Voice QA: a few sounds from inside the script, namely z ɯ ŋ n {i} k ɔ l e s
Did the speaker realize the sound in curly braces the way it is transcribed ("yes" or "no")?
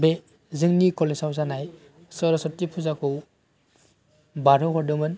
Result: yes